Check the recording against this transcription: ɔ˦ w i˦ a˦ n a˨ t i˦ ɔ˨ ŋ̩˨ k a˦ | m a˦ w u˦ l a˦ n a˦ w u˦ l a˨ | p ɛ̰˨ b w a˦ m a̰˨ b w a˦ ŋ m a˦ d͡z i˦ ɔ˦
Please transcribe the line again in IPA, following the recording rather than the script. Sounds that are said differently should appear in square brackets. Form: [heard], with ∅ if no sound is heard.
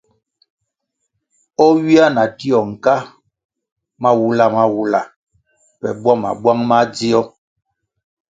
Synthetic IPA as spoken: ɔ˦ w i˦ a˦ n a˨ t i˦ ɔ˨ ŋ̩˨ k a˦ | m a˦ w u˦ l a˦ [m] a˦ w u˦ l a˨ | p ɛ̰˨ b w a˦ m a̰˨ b w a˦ ŋ m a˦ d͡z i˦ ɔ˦